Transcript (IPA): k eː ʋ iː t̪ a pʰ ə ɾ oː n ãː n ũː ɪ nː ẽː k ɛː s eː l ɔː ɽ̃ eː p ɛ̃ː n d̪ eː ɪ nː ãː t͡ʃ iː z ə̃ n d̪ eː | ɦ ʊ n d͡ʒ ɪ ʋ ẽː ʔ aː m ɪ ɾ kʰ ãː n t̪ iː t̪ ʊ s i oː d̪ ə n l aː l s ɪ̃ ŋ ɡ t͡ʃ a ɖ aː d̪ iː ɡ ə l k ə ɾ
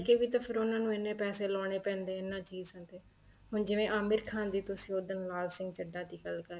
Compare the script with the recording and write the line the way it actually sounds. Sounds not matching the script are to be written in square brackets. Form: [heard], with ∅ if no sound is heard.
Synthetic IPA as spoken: k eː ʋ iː t̪ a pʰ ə ɾ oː n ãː n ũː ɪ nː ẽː [p] ɛː s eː l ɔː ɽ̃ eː p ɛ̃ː n d̪ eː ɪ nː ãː t͡ʃ iː z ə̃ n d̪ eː | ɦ ʊ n d͡ʒ ɪ ʋ ẽː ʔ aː m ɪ ɾ kʰ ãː n [d̪] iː t̪ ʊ s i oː d̪ ə n l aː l s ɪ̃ ŋ ɡ t͡ʃ [ə] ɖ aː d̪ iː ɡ ə l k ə ɾ